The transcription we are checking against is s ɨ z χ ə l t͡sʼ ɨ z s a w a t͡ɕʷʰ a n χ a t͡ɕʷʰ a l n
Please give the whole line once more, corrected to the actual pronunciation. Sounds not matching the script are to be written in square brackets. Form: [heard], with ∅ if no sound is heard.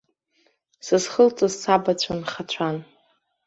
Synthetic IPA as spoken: s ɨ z χ ə l t͡sʼ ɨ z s a [b] a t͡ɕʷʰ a n χ a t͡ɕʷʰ a [∅] n